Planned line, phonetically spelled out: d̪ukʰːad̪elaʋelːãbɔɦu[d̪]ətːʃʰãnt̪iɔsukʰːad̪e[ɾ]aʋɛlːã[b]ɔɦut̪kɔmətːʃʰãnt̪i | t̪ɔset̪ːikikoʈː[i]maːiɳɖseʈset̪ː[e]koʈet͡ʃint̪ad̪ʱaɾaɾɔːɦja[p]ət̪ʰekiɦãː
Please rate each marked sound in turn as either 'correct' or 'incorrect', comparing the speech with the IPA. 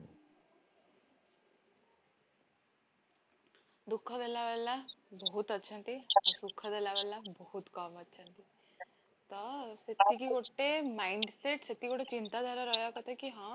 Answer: incorrect, incorrect, correct, incorrect, incorrect, incorrect

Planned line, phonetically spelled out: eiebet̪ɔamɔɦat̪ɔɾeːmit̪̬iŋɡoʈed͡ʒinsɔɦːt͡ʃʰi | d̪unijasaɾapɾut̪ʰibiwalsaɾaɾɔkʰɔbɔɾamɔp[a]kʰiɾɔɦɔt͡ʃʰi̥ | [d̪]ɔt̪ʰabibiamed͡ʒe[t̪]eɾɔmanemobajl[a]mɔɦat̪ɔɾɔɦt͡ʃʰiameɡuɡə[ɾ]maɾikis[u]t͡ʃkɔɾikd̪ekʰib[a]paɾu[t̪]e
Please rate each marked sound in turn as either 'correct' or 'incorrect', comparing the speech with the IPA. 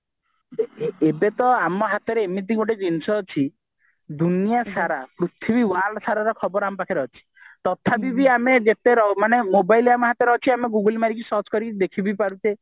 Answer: correct, incorrect, correct, correct, incorrect, incorrect, incorrect, correct

